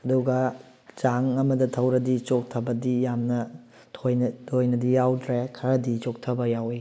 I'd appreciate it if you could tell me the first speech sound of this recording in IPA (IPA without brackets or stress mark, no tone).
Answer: ɐ